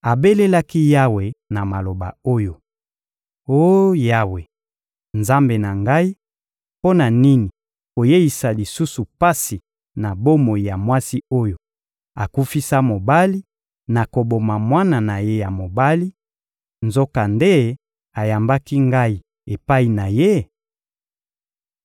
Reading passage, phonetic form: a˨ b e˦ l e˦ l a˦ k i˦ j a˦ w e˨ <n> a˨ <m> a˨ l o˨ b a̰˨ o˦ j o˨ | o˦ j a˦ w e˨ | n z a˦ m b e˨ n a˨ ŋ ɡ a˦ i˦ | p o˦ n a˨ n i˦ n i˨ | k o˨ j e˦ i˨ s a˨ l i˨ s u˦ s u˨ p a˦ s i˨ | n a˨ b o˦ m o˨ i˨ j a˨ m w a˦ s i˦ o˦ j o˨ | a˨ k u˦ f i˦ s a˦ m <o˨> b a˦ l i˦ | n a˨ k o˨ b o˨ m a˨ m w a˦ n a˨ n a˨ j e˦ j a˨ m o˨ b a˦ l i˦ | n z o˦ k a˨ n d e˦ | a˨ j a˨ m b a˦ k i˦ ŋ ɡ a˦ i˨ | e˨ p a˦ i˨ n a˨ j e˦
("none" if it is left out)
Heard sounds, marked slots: n, m, o˨

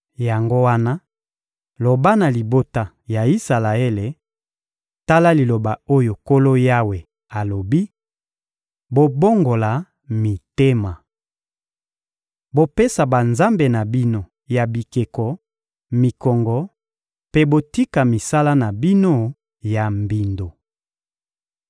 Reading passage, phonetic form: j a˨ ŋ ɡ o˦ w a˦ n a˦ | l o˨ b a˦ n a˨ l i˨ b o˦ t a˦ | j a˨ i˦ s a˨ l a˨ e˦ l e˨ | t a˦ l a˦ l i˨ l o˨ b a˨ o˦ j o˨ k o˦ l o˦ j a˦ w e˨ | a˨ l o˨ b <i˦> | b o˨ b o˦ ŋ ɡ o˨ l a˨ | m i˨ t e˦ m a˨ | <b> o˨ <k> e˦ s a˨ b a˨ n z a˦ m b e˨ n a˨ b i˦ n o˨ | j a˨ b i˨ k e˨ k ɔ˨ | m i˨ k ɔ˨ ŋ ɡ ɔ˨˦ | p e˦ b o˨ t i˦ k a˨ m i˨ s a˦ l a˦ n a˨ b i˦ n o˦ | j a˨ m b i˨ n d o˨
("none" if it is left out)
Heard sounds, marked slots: i˦, b, p

